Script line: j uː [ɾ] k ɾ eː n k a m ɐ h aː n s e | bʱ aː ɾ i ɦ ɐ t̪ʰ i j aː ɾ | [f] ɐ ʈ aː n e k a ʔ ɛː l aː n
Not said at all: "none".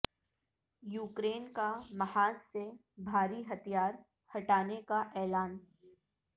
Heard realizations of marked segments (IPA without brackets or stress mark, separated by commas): none, h